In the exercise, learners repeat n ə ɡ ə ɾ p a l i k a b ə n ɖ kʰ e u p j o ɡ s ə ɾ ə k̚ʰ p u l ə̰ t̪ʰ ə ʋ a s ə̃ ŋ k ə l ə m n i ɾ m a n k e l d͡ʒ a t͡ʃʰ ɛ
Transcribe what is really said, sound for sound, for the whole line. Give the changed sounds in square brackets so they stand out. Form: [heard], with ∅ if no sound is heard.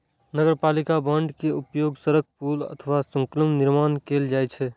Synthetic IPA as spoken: n ə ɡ ə ɾ p a l i k a b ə [ɳ] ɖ [k] e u p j o ɡ s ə ɾ ə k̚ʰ p u l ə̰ t̪ʰ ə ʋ a s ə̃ ŋ k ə l ə m n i ɾ m a n k e l d͡ʒ a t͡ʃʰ ɛ

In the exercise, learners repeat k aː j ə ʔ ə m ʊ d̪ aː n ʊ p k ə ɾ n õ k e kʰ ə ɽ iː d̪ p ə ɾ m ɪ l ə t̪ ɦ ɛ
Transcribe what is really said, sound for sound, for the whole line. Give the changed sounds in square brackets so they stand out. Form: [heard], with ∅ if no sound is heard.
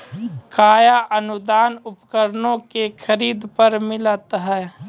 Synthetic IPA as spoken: k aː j [a] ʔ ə [n] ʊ d̪ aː n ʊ p k ə ɾ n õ k e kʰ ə [ɾ] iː d̪ p ə ɾ m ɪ l ə t̪ ɦ [ɛː]

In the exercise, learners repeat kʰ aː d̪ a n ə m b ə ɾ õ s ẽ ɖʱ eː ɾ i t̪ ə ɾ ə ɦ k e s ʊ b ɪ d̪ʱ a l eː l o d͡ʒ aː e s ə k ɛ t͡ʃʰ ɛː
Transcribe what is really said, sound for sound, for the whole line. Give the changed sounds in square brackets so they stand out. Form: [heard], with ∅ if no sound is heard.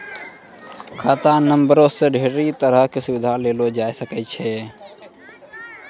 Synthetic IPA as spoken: kʰ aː [t̪] a n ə m b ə ɾ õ s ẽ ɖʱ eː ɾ i t̪ ə ɾ ə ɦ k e s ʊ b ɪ d̪ʱ a l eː l o d͡ʒ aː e s ə k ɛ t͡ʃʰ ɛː

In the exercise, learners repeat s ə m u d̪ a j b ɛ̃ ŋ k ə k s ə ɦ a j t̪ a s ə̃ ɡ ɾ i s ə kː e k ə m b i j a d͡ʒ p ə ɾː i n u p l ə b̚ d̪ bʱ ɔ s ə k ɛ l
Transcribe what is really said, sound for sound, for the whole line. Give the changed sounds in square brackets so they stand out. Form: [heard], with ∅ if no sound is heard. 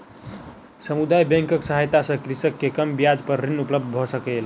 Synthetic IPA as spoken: s ə m u d̪ a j b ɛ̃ ŋ k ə k s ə ɦ a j t̪ a s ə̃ [k] ɾ i s ə kː e k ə m b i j a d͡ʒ p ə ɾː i n u p l ə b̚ d̪ bʱ ɔ s ə k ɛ l

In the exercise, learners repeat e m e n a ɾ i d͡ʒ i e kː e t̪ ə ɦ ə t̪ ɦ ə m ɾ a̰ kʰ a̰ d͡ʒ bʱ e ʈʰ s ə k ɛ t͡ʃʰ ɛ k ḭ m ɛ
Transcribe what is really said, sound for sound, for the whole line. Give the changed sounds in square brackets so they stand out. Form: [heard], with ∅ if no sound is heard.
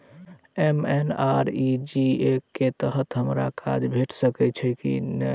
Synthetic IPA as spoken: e m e n a ɾ i d͡ʒ i e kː e t̪ ə ɦ ə t̪ ɦ ə m ɾ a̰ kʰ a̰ d͡ʒ bʱ e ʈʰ s ə k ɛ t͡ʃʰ ɛ k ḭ [n] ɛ

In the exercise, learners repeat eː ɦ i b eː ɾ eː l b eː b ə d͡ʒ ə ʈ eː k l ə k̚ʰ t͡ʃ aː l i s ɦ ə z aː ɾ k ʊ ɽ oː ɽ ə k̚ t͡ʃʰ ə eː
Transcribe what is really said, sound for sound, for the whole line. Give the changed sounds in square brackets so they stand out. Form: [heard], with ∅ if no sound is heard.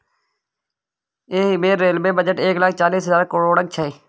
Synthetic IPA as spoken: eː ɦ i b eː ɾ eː l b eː b ə d͡ʒ ə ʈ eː k l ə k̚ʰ t͡ʃ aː l [iː] s ɦ ə z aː ɾ k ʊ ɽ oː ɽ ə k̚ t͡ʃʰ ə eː

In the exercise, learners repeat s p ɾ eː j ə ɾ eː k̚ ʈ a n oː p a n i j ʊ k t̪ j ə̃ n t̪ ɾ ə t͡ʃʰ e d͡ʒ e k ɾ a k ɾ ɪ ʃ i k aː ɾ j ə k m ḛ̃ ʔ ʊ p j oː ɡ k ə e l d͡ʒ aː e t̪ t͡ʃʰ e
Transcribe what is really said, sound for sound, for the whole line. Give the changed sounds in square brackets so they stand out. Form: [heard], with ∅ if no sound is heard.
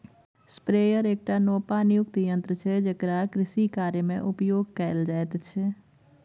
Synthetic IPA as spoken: s p ɾ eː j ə ɾ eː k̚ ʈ a n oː p a n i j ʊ k t̪ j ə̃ n t̪ ɾ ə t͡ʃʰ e d͡ʒ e k ɾ a k ɾ ɪ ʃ i k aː ɾ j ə [∅] m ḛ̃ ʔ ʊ p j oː ɡ k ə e l d͡ʒ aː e t̪ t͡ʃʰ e

